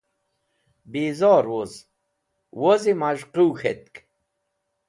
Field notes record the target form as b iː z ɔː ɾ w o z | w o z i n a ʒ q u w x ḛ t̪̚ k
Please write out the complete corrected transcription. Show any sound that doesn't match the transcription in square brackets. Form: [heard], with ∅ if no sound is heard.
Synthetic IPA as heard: b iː z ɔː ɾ w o z | w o z i [m] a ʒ q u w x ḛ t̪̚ k